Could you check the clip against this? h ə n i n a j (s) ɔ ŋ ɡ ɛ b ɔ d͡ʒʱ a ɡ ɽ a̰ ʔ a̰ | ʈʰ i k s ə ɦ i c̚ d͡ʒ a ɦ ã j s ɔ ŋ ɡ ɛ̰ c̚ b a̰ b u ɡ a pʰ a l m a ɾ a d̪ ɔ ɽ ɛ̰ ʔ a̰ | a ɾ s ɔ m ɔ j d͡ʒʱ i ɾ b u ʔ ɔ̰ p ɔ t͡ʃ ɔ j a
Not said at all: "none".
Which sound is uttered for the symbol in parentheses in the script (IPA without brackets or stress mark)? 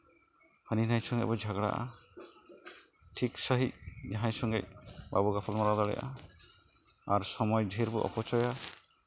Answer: s